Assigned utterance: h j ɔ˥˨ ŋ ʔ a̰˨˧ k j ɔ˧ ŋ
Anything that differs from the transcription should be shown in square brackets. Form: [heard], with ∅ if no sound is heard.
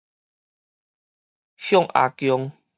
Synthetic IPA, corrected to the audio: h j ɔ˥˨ ŋ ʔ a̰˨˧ k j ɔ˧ ŋ